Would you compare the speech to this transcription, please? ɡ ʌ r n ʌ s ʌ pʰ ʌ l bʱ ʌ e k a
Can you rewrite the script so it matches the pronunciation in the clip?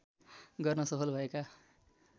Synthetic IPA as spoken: ɡ ʌ r n ʌ s ʌ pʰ ʌ l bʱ ʌ e k a